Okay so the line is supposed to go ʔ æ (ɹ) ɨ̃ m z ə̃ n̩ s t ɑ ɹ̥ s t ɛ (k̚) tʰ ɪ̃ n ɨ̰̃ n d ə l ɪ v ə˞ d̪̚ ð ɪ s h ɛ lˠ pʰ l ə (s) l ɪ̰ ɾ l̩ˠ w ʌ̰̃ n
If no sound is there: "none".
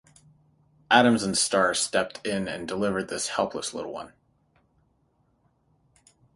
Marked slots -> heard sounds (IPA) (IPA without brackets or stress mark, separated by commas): ɾ, p̚, s